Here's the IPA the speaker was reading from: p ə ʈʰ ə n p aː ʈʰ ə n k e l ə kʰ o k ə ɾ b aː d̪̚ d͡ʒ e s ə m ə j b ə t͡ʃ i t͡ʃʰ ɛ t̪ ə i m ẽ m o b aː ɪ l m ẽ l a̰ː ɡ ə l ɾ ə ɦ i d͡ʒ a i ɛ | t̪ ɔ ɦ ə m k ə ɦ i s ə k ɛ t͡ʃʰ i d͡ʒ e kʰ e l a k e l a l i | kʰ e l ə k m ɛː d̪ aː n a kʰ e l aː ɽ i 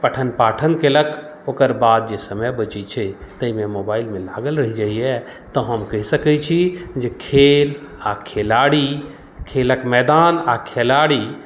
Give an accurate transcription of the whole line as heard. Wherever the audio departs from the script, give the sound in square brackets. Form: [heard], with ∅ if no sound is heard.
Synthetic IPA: p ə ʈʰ ə n p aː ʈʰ ə n k e l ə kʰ o k ə ɾ b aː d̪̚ d͡ʒ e s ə m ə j b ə t͡ʃ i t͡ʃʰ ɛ t̪ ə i m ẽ m o b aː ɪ l m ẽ l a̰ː ɡ ə l ɾ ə ɦ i d͡ʒ a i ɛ | t̪ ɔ ɦ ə m k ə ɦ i s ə k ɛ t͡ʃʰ i d͡ʒ e kʰ e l a [kʰ] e l a [ɽ] i | kʰ e l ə k m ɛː d̪ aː n a kʰ e l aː ɽ i